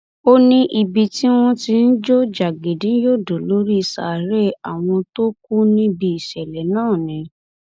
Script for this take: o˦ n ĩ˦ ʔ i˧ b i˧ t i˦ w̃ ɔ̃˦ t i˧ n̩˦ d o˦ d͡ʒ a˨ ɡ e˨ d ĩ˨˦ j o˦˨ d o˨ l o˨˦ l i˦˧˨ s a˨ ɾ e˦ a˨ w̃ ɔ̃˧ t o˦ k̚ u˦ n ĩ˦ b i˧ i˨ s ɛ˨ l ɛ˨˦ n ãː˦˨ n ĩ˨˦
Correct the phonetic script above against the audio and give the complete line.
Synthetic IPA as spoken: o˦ n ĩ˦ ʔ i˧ b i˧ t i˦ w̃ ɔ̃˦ t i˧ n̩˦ d͡ʒ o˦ d͡ʒ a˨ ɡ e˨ d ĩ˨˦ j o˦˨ d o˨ l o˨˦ ɾ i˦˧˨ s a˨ ɾ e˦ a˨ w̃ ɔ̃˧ t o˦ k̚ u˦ n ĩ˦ b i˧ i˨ ʃ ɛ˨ l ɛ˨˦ n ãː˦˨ n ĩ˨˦